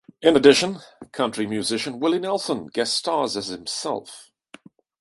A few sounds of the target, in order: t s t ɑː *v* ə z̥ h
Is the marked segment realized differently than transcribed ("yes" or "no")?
yes